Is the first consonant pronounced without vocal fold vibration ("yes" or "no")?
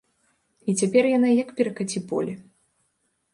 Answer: yes